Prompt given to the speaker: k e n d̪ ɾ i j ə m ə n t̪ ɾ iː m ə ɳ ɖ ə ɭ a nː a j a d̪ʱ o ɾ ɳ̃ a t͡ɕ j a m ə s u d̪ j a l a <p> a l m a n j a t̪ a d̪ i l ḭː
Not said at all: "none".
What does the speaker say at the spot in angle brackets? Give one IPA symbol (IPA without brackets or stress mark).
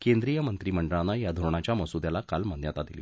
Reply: k